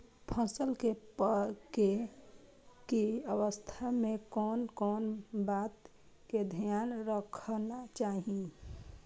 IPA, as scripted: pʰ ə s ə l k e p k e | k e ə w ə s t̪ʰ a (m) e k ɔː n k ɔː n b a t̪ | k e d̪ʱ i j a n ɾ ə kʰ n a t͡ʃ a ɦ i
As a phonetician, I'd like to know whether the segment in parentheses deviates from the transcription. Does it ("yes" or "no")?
no